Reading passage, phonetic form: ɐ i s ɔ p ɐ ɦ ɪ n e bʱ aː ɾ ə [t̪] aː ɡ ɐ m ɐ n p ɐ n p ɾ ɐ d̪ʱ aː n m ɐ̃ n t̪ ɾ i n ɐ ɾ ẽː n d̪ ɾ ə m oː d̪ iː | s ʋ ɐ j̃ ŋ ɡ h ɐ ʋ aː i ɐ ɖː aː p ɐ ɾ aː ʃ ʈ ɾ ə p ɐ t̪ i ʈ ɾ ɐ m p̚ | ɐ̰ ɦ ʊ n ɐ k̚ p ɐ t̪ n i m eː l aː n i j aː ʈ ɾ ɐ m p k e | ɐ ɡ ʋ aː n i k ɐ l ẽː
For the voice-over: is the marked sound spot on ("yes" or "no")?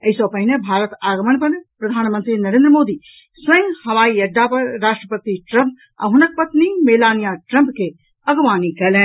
yes